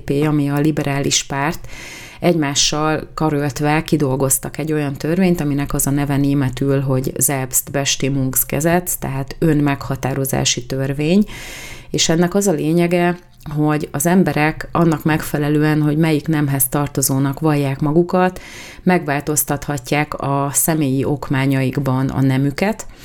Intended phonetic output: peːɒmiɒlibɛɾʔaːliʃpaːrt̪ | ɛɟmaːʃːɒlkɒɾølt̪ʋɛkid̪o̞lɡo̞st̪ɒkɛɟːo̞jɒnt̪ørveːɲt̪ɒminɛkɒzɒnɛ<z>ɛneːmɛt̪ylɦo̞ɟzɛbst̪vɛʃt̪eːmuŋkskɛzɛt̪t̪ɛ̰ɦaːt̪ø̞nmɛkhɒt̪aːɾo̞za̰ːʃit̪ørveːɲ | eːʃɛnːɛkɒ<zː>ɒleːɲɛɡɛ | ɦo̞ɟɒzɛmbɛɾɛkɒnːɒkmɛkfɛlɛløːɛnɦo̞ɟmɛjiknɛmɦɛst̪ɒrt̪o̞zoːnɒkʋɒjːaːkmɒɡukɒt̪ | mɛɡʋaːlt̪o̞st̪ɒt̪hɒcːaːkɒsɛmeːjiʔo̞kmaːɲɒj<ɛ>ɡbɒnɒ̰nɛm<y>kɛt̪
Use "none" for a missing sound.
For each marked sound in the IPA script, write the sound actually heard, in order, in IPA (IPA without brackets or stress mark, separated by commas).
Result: v, z, i, y